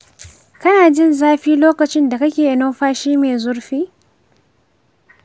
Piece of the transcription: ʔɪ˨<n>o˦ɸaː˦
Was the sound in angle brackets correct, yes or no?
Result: yes